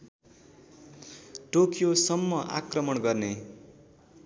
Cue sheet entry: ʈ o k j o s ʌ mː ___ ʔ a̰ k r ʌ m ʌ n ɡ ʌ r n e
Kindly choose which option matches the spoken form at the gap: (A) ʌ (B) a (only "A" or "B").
A